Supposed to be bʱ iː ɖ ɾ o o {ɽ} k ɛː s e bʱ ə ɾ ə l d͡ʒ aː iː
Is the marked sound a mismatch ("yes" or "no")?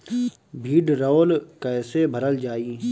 yes